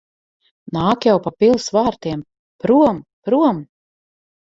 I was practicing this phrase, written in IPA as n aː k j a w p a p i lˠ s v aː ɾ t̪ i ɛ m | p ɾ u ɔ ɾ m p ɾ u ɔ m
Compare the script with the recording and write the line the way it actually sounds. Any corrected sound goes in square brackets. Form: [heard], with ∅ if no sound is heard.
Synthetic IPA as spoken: n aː k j a w p a p i lˠ s v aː ɾ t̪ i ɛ m | p ɾ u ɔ [∅] m p ɾ u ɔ m

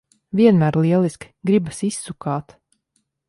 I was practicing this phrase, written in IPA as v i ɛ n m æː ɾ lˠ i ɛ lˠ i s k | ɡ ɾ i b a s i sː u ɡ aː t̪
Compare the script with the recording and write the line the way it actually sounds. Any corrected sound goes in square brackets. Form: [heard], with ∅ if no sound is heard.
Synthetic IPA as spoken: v i ɛ n m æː ɾ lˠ i ɛ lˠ i s k | ɡ ɾ i b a s i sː u [k] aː t̪

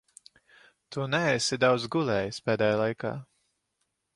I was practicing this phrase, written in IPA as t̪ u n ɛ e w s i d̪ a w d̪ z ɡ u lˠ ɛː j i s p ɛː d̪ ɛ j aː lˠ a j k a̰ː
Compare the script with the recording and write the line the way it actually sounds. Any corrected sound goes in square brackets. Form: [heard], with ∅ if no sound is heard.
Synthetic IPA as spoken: t̪ u n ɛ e [∅] s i d̪ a w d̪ z ɡ u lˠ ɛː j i s p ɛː d̪ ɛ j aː lˠ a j k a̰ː

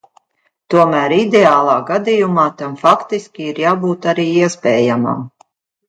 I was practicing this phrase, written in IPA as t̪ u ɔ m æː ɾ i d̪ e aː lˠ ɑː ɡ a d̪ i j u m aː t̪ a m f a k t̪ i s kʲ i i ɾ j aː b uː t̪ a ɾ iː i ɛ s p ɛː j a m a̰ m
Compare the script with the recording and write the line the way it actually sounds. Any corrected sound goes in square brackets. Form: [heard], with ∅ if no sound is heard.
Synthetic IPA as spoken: t̪ u ɔ m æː ɾ i d̪ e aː lˠ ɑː ɡ a d̪ i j u m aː t̪ a m f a k t̪ i s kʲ i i ɾ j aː b uː t̪ a ɾ iː i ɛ s p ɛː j a m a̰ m

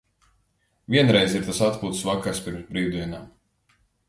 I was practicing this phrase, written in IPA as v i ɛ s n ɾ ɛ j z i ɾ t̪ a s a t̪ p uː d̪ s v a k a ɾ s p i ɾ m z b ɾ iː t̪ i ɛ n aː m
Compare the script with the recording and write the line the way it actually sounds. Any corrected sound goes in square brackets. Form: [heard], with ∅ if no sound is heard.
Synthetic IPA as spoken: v i ɛ [∅] n ɾ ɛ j z i ɾ t̪ a s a t̪ p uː [t̪] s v a k a ɾ s p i ɾ m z b ɾ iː [d̪] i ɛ n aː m

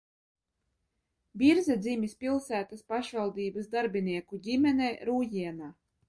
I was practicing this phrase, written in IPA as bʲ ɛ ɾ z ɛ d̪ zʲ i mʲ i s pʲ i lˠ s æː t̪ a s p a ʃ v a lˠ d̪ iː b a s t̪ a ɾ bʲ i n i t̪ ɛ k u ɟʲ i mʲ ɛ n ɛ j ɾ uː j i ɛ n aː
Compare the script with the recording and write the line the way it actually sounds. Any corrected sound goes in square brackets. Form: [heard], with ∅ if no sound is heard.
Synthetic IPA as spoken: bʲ [i] ɾ z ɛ d̪ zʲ i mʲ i s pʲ i lˠ s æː t̪ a s p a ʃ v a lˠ d̪ iː b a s [d̪] a ɾ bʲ i n i [∅] ɛ k u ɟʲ i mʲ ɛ n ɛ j ɾ uː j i ɛ n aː

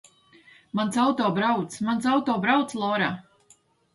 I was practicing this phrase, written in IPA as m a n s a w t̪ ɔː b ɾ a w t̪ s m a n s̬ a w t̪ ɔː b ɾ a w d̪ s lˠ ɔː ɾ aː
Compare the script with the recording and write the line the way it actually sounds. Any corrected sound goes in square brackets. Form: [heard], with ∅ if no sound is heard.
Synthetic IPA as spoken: m a n s a w t̪ ɔː b ɾ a w t̪ s m a n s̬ a w t̪ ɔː b ɾ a w [t̪] s lˠ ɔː ɾ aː

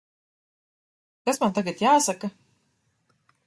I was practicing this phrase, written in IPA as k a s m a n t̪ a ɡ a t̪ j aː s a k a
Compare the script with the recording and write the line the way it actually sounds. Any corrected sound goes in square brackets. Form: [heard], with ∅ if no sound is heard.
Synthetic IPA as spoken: k a s m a n t̪ a ɡ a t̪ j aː s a k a

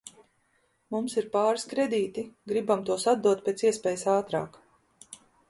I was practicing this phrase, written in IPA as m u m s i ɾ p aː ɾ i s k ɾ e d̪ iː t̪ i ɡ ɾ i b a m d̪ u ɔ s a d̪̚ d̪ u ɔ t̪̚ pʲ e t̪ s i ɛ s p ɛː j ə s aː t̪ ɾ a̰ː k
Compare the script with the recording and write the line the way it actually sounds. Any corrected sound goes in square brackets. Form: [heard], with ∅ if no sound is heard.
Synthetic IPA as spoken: m u m s i ɾ p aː ɾ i s k ɾ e d̪ iː t̪ i ɡ ɾ i b a m [t̪] u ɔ s a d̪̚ d̪ u ɔ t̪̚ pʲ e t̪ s i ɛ s p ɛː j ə s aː t̪ ɾ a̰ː k

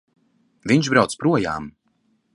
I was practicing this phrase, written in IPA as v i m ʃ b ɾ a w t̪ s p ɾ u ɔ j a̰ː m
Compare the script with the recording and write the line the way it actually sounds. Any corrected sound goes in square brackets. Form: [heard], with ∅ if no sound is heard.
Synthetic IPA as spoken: v i [ɲ] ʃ b ɾ a w t̪ s p ɾ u ɔ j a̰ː m

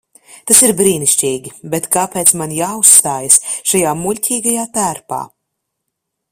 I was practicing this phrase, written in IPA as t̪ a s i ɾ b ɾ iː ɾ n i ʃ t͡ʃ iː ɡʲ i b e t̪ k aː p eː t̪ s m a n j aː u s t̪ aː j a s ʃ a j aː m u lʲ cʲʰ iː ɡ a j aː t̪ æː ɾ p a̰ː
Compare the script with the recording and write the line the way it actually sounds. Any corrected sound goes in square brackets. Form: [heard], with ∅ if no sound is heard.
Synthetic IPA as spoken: t̪ a s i ɾ b ɾ iː [∅] n i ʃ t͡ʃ iː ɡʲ i b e t̪ k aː p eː t̪ s m a n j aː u s t̪ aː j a s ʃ a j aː m u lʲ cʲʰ iː ɡ a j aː t̪ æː ɾ p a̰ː

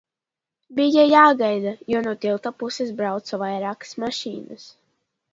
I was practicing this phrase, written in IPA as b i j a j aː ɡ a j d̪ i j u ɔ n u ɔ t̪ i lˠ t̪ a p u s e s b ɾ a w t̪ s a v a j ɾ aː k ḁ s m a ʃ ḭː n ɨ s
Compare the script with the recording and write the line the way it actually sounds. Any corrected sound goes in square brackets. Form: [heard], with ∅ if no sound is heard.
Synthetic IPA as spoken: b i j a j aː ɡ a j d̪ [a] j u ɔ n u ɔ t̪ i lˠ t̪ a p u s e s b ɾ a w t̪ s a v a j ɾ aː k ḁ s m a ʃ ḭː n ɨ s

